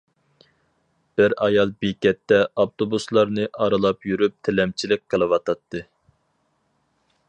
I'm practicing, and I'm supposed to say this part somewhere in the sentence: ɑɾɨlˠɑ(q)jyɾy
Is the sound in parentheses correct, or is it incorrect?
incorrect